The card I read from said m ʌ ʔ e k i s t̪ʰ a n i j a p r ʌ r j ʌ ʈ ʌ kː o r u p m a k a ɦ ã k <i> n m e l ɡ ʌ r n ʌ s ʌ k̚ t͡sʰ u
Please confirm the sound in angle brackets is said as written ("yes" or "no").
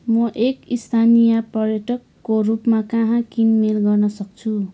yes